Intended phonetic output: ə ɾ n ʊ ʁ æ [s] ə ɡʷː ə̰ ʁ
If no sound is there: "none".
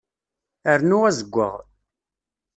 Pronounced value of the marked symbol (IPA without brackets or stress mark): z